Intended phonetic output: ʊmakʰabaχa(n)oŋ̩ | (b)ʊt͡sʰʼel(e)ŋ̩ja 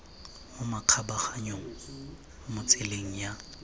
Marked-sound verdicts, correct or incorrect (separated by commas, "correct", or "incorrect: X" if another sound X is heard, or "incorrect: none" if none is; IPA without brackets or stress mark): incorrect: ɲ, incorrect: m, correct